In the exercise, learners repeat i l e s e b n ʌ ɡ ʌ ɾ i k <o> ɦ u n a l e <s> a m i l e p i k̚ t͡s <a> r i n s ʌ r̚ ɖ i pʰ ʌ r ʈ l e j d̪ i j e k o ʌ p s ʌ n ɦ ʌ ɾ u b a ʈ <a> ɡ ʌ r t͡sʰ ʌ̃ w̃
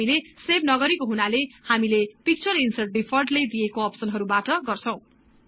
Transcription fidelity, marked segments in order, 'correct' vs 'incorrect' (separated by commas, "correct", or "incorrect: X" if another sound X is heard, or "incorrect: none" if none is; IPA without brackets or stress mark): correct, incorrect: h, incorrect: ʌ, incorrect: ʌ